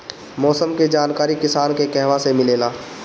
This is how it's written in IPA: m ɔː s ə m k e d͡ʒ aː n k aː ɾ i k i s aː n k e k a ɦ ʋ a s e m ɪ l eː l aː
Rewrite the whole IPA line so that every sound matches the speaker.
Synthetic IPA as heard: m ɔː s ə m k e d͡ʒ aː n k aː ɾ i k ɪ s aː n k e k ɛ ɦ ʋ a s e m ɪ l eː l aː